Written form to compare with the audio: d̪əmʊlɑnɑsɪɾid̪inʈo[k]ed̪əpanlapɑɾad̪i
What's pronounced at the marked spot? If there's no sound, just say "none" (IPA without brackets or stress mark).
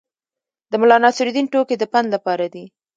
k